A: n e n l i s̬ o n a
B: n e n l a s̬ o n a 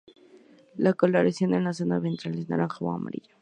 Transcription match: B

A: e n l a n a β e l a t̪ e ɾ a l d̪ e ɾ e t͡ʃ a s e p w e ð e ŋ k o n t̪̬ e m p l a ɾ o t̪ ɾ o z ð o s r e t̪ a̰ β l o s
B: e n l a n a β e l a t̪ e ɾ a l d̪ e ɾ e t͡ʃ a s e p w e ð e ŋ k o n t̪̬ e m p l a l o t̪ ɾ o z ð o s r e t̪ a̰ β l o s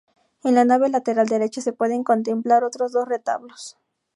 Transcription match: A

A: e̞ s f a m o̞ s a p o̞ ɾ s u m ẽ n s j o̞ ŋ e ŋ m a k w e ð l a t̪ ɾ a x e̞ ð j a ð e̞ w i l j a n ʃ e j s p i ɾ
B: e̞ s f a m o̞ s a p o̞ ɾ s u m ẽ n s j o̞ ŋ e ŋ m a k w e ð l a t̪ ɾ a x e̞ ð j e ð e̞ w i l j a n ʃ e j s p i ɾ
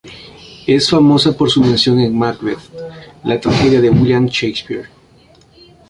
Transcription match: A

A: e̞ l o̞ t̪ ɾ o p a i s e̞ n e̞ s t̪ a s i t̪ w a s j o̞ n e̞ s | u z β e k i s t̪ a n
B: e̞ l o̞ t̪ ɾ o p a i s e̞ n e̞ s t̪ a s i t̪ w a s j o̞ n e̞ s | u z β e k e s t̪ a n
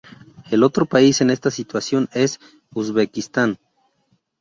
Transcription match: A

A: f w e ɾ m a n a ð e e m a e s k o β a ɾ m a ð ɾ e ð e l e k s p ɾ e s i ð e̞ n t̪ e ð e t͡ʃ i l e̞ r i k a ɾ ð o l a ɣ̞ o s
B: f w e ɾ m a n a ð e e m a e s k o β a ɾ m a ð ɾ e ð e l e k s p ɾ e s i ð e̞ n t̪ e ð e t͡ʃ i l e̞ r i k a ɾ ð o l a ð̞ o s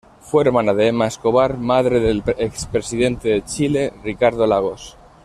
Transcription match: A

